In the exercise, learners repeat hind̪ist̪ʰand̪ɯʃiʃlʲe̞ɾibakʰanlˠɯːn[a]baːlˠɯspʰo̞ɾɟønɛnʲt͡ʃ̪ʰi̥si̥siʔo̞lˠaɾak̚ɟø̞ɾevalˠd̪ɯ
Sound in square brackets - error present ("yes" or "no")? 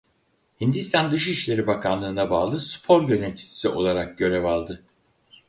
no